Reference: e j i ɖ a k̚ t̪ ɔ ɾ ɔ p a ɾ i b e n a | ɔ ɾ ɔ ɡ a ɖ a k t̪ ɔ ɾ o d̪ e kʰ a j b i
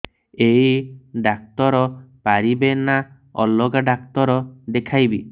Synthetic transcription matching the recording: e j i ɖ a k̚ t̪ ɔ ɾ ɔ p a ɾ i b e n a | ɔ l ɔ ɡ a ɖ a k t̪ ɔ ɾ ɔ d̪ e kʰ a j b i